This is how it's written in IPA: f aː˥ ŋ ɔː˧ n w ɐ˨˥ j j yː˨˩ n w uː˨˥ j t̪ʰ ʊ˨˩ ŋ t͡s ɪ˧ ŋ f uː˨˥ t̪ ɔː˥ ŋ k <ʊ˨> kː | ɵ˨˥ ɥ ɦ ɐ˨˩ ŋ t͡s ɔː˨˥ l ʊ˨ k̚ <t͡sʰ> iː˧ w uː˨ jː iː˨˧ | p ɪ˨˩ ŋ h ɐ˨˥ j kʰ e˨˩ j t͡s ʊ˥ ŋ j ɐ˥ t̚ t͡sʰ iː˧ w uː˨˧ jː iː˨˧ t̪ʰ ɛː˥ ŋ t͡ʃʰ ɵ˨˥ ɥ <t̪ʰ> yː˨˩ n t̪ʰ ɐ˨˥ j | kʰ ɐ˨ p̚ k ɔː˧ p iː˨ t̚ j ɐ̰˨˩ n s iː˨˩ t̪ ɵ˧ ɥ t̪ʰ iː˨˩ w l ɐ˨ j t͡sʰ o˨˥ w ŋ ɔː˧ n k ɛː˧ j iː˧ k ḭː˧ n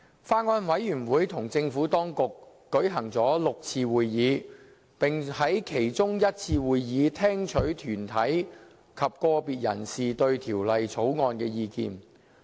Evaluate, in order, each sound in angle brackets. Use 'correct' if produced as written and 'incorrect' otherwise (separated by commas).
correct, correct, correct